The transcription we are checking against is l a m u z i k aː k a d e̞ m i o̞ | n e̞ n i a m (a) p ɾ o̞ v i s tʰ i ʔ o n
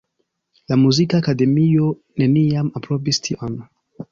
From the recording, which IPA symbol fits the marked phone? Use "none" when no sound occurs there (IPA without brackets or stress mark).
a